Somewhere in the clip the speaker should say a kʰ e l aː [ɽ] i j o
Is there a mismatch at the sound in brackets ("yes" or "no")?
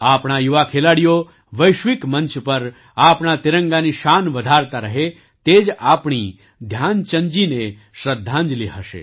no